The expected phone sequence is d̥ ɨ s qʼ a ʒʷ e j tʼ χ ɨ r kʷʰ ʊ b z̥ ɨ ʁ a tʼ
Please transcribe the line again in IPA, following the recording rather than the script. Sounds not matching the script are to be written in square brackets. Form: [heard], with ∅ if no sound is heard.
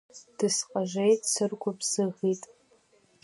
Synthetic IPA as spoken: d̥ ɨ s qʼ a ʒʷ e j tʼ [s] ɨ r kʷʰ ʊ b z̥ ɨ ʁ [i] tʼ